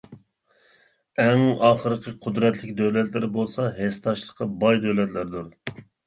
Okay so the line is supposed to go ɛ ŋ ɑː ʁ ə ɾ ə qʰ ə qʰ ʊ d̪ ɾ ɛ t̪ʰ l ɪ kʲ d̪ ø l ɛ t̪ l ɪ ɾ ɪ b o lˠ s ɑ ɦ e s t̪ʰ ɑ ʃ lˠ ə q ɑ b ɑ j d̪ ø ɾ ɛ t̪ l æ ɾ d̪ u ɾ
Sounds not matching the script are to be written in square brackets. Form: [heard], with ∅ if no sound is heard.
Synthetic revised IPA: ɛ ŋ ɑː [χ] ə ɾ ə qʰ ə qʰ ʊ d̪ ɾ ɛ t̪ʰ l ɪ kʲ d̪ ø l ɛ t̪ l ɪ ɾ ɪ b o lˠ s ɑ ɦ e s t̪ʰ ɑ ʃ lˠ ə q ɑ b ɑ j d̪ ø [l] ɛ t̪ l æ ɾ d̪ u ɾ